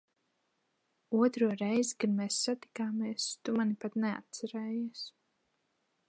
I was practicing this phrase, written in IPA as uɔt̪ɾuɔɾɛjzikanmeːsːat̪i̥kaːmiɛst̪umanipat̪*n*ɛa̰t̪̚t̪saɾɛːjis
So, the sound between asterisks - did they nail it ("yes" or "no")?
yes